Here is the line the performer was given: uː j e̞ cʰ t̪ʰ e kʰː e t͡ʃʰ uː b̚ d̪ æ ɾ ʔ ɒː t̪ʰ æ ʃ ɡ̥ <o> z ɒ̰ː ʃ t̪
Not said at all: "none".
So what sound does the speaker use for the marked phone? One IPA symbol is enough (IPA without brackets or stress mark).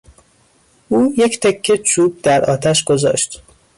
o